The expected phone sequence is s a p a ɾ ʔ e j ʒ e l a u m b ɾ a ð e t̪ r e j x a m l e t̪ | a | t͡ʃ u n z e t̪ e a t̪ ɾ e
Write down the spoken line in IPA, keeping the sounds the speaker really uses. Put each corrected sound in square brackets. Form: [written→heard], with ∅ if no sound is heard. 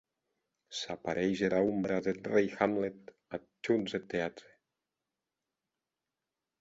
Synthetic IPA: s a p a ɾ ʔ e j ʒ e [l→ɾ] a u m b ɾ a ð e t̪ r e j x a m l e t̪ | a | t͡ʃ u n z e t̪ e a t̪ ɾ e